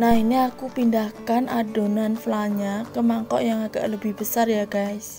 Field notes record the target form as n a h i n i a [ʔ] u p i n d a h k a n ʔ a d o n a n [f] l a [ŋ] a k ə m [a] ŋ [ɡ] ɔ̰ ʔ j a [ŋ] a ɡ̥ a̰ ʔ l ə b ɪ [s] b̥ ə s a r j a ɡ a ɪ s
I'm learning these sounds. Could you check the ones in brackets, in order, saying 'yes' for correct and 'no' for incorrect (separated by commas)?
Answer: no, yes, no, yes, no, yes, no